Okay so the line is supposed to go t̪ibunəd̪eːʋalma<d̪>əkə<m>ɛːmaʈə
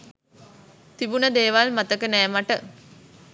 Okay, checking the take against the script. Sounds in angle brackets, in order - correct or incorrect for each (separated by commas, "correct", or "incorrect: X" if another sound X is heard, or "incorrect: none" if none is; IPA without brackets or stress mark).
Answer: incorrect: t̪, incorrect: n